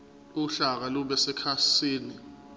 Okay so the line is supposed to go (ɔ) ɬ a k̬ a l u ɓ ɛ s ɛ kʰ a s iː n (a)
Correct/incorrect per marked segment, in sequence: incorrect: u, incorrect: i

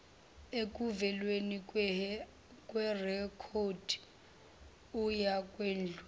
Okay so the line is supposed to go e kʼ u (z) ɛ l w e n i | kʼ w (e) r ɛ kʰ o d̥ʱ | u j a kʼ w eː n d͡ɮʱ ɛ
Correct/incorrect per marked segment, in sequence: incorrect: v, incorrect: ɛ

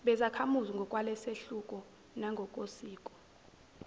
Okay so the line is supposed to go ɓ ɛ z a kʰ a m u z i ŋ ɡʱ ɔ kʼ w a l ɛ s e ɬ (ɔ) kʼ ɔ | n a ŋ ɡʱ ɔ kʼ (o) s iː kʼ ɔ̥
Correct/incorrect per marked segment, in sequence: incorrect: u, correct

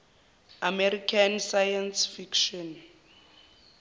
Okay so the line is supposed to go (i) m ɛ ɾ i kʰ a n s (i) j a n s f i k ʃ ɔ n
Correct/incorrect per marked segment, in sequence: incorrect: a, incorrect: a

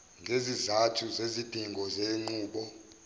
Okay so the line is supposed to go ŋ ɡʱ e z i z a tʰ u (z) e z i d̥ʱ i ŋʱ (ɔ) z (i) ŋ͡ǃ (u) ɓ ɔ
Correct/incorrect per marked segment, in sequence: correct, correct, incorrect: e, incorrect: uː

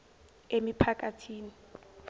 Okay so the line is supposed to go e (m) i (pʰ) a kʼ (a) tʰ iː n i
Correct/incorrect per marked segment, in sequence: correct, correct, correct

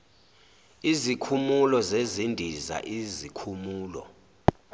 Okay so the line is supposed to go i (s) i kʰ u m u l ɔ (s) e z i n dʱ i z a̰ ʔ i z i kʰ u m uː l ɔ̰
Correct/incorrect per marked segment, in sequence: incorrect: z, incorrect: z

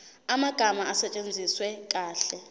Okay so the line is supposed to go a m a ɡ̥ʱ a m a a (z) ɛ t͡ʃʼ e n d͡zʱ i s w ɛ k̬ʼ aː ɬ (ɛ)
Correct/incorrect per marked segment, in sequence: incorrect: s, correct

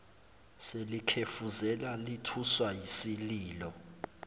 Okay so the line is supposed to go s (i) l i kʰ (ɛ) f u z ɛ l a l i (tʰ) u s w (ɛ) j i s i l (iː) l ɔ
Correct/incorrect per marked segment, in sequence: incorrect: e, incorrect: e, correct, incorrect: a, correct

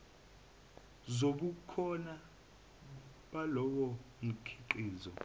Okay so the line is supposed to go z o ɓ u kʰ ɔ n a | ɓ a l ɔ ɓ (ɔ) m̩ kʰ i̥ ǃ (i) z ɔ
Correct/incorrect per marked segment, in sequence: correct, incorrect: iː

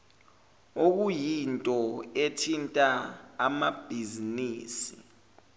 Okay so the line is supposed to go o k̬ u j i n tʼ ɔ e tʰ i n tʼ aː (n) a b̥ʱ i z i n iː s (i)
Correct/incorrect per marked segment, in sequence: incorrect: m, correct

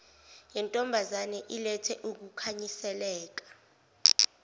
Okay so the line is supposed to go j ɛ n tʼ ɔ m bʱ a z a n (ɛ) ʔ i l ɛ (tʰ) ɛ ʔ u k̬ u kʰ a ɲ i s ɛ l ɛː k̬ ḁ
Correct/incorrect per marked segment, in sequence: correct, correct

